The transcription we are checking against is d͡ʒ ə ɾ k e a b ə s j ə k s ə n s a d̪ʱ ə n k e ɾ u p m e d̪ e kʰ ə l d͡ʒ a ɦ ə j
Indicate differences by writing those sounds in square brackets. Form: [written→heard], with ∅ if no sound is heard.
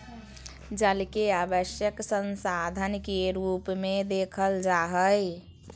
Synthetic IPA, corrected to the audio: d͡ʒ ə [ɾ→l] k e a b ə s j ə k s ə n s a d̪ʱ ə n k e ɾ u p m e d̪ e kʰ ə l d͡ʒ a ɦ ə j